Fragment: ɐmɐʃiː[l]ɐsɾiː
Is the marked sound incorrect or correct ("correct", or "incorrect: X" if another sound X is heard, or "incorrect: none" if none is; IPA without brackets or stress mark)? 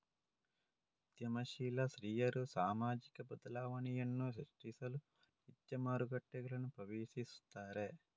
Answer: correct